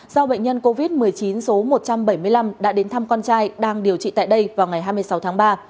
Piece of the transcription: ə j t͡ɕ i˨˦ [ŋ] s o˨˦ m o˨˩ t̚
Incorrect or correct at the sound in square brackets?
incorrect: n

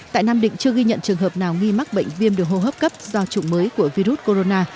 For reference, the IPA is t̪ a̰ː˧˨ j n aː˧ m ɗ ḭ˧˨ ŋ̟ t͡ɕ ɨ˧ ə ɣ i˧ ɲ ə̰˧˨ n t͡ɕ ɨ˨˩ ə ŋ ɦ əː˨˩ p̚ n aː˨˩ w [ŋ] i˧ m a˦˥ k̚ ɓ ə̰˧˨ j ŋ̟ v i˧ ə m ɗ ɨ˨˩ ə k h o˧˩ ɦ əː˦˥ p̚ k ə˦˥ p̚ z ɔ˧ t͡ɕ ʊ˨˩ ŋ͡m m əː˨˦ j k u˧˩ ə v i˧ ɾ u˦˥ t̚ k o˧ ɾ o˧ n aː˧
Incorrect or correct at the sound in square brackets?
correct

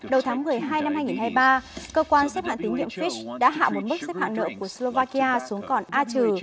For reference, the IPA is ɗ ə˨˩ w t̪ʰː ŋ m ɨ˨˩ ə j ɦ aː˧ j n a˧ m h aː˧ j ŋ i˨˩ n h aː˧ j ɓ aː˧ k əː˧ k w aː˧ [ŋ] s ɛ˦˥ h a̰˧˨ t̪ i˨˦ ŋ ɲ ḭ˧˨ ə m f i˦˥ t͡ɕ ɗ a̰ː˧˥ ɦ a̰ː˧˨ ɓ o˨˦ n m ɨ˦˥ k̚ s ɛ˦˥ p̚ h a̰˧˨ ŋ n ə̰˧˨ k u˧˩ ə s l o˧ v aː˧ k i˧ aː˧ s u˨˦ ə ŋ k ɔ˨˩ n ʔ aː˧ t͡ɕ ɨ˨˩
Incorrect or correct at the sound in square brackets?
incorrect: n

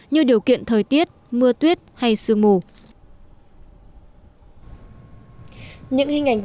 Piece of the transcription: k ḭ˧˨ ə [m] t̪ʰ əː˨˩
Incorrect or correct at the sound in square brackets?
incorrect: n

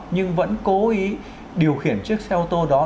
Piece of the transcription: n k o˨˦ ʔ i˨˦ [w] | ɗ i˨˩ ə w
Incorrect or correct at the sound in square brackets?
incorrect: none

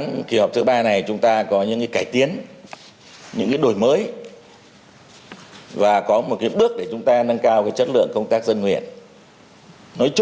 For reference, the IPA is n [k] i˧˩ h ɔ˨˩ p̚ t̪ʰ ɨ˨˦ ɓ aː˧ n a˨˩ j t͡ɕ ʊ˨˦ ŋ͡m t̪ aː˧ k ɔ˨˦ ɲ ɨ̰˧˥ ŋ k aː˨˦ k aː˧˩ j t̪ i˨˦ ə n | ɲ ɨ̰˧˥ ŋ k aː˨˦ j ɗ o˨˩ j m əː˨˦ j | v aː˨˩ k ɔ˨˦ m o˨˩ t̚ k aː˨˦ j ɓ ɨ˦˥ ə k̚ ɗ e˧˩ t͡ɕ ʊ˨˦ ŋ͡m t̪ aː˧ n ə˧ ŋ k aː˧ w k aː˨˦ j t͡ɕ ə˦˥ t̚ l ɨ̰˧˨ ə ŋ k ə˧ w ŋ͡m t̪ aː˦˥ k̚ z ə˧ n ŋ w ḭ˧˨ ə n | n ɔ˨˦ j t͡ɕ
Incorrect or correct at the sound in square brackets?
correct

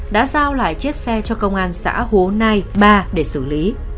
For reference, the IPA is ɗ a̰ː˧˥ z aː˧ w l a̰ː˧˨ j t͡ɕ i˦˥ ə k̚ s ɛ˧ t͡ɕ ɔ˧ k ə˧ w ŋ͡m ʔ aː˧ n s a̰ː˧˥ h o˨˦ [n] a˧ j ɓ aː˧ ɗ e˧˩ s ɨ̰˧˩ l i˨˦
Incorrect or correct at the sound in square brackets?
correct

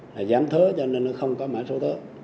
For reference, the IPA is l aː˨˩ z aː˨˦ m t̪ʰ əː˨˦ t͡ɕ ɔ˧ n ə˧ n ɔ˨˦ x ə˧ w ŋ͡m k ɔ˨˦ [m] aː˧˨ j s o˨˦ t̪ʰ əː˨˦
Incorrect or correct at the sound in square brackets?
correct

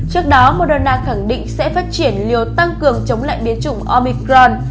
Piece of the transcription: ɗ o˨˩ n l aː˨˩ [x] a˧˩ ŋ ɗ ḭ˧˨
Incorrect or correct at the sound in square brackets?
correct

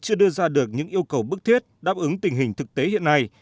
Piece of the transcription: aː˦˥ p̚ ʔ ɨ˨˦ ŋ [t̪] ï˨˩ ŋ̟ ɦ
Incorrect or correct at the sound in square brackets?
correct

